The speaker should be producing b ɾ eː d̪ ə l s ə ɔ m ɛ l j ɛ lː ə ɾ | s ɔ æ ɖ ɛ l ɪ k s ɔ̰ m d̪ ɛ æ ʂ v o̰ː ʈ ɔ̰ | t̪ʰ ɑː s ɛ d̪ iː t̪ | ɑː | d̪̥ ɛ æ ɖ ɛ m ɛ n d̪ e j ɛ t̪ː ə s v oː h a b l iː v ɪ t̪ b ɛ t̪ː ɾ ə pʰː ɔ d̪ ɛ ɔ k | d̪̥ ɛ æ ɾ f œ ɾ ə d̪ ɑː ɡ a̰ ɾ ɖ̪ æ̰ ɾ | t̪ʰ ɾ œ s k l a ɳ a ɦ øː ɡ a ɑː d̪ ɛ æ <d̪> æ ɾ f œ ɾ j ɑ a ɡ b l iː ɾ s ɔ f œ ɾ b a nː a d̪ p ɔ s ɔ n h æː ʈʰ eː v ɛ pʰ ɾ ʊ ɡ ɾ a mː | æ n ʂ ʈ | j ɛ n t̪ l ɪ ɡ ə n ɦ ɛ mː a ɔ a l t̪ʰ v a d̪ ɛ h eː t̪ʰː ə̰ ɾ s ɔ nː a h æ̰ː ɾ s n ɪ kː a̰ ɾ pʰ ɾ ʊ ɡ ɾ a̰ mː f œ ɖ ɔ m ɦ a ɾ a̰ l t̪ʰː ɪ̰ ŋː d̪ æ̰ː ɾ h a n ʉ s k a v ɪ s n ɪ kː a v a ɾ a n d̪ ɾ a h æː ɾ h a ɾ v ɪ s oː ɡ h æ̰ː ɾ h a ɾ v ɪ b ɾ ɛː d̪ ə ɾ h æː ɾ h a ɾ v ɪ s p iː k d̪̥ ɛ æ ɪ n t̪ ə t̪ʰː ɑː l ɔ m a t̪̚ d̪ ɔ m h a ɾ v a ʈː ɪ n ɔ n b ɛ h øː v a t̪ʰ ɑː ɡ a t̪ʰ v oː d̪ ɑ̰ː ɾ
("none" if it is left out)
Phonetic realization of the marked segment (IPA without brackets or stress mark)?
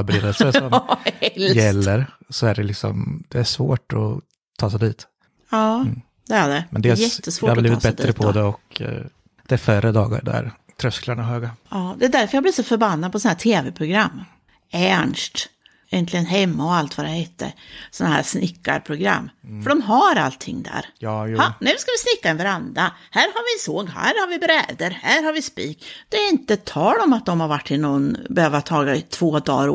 d̪